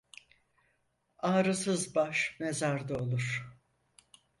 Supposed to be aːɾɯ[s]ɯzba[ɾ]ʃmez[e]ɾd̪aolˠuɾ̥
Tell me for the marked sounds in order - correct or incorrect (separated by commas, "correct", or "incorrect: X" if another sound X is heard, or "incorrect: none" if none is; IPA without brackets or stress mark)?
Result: correct, incorrect: none, incorrect: a